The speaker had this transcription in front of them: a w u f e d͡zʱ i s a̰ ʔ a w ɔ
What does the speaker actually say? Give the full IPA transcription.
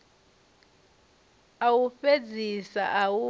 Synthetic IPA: a w u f e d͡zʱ i s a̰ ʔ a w u